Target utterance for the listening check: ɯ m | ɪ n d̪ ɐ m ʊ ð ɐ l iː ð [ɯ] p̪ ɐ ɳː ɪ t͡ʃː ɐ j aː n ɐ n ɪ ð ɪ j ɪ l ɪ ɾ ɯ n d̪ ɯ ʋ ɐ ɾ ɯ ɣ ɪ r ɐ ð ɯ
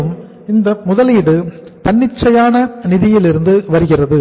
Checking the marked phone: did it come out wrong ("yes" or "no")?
no